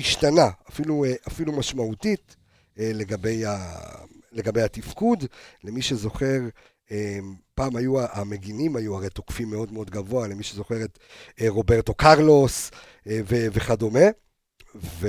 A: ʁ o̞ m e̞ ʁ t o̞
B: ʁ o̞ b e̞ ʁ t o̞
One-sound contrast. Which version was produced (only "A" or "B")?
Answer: B